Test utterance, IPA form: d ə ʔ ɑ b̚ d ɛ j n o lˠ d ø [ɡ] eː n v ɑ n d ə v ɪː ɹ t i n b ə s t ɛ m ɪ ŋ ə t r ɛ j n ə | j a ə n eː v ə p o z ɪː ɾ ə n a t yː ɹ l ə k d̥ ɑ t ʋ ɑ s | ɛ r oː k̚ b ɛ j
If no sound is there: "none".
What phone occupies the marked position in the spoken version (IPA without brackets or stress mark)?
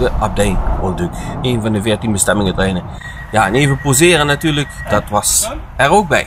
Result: k